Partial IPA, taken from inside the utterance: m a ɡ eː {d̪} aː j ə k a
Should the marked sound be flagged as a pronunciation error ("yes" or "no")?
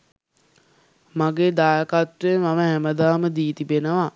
no